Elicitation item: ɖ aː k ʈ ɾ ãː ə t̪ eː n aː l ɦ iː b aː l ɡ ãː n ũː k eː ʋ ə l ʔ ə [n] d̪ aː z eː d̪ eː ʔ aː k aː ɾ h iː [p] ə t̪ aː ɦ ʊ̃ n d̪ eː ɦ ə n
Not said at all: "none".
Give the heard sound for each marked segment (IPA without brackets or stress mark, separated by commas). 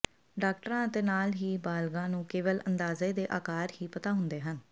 n, p